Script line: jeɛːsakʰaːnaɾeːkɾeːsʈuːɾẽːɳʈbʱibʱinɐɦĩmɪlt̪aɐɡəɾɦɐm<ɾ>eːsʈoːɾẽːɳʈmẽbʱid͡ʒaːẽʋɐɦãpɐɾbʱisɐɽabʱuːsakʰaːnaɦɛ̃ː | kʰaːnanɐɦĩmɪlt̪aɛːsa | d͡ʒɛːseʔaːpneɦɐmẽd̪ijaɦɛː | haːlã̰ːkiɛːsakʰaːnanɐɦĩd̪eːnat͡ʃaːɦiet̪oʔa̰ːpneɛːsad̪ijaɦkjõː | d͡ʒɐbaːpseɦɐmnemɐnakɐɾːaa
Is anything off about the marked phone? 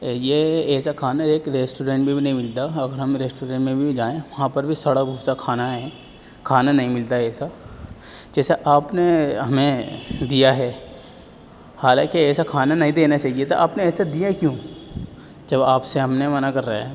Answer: no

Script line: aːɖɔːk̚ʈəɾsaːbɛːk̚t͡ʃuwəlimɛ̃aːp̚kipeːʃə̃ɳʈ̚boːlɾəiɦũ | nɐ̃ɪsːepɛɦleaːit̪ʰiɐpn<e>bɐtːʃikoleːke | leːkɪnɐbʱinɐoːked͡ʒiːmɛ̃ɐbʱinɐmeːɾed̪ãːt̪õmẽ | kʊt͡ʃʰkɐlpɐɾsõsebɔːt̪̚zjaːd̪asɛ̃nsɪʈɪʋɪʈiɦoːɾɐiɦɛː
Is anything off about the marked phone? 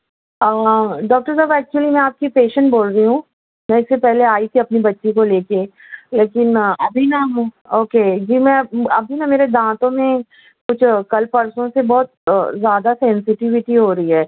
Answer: yes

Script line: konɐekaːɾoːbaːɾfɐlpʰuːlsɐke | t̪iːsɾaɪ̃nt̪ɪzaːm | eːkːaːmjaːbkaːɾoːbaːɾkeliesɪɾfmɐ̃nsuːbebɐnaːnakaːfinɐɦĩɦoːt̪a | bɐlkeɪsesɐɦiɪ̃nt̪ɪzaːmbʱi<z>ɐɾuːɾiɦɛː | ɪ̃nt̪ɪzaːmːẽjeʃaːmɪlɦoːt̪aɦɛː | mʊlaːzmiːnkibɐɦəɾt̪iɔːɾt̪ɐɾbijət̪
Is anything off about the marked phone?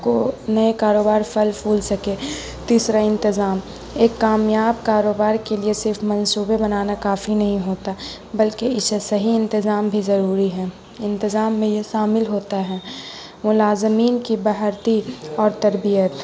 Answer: no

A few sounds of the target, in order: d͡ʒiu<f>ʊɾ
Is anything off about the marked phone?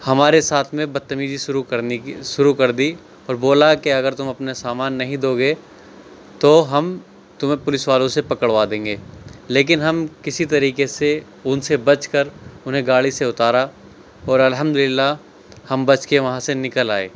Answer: yes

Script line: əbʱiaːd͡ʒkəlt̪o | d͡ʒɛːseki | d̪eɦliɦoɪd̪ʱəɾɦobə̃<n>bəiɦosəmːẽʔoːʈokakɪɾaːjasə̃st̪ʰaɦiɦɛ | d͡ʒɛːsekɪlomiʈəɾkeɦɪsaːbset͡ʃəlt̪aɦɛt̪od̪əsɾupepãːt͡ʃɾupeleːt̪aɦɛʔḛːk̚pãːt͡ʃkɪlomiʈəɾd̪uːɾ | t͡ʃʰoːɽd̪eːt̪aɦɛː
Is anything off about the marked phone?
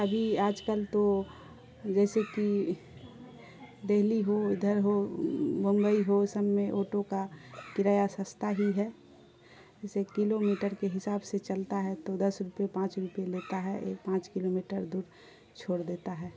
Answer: yes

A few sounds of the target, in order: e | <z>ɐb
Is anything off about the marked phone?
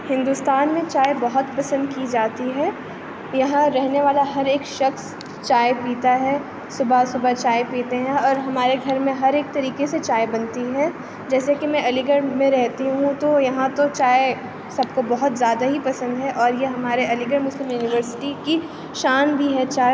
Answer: yes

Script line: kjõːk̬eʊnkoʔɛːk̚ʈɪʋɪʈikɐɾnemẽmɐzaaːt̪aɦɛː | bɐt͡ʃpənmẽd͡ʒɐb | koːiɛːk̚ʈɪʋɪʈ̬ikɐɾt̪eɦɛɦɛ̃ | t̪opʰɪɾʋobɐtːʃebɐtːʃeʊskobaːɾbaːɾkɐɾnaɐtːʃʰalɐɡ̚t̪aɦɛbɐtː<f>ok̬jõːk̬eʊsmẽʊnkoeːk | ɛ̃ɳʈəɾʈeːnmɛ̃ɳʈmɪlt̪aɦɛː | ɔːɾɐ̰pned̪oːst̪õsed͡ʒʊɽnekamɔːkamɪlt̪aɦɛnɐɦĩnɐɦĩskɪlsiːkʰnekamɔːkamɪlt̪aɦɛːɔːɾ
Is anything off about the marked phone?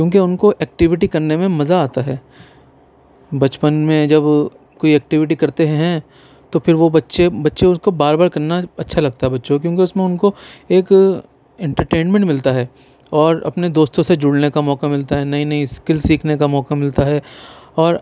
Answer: yes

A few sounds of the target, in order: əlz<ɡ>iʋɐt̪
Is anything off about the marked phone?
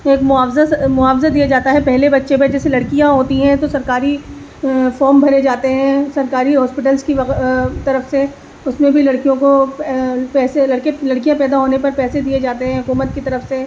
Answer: yes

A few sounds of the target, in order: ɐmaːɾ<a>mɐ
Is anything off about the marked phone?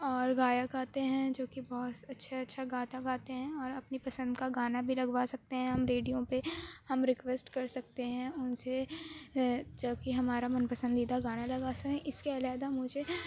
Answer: no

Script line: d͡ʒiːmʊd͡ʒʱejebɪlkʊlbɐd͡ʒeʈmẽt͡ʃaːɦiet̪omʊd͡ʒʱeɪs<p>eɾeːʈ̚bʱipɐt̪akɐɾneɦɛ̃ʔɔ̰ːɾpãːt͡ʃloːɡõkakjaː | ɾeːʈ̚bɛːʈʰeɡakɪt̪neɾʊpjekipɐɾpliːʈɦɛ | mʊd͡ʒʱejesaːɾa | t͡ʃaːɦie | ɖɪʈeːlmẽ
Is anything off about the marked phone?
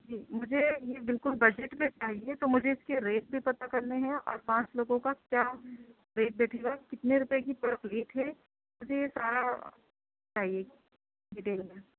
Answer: yes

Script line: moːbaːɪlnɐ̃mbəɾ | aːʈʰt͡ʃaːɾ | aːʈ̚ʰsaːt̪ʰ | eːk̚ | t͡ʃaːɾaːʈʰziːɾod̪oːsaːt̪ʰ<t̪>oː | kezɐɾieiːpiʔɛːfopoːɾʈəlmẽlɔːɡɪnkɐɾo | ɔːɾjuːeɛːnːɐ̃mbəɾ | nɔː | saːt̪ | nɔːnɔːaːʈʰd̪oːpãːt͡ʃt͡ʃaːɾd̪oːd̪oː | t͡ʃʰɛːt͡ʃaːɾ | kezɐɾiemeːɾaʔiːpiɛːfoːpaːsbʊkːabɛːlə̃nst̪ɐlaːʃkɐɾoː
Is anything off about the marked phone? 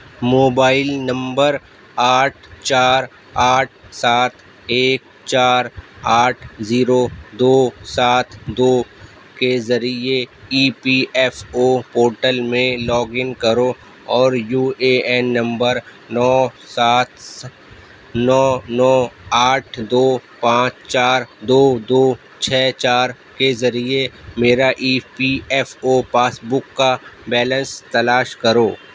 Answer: yes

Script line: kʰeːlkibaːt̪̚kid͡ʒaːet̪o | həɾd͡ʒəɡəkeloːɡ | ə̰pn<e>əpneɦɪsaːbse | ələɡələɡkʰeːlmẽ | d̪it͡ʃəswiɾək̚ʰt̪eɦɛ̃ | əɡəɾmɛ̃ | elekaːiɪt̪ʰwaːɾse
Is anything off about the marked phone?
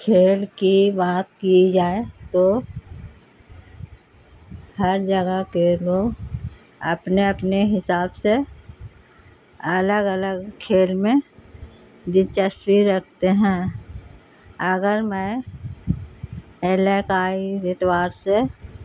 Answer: no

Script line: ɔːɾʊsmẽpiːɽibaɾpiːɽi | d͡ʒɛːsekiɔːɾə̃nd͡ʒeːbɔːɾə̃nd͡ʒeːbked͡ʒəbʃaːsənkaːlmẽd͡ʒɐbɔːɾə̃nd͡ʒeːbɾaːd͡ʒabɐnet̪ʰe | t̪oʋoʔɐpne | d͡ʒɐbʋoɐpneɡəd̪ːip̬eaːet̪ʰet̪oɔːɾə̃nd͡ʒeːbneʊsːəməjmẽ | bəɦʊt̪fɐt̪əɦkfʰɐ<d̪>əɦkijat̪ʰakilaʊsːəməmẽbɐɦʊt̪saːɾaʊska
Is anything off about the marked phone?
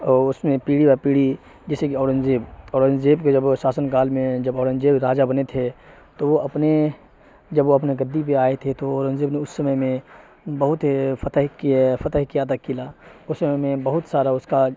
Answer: yes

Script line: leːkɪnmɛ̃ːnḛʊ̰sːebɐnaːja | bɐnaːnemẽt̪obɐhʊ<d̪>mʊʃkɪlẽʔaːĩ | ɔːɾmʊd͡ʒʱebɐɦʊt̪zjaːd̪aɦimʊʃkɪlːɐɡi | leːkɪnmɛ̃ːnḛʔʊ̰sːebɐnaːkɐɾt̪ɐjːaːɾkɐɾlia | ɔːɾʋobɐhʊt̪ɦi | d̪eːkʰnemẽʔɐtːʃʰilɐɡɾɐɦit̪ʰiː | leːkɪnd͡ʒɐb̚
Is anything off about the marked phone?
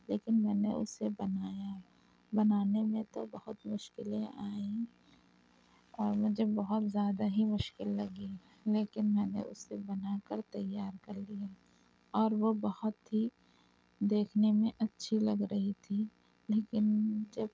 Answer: yes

